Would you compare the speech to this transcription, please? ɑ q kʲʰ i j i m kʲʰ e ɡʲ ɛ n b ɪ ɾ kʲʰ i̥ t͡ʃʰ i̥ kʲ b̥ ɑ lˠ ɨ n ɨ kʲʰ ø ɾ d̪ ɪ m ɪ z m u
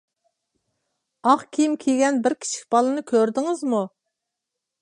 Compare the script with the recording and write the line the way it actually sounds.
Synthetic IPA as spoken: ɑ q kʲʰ i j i m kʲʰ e ɡʲ ɛ n b ɪ ɾ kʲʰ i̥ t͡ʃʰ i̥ kʲ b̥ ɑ lˠ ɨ n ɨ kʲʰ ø ɾ d̪ ɪ ŋ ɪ z m u